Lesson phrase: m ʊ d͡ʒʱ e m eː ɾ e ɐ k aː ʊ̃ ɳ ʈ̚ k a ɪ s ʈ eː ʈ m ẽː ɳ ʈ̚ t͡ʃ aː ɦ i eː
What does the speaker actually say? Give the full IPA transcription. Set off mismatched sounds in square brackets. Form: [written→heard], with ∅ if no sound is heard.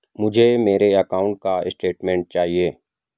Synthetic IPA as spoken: m ʊ d͡ʒʱ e m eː ɾ e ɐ k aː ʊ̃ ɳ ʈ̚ k a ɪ s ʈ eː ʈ m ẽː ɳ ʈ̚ t͡ʃ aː ɦ i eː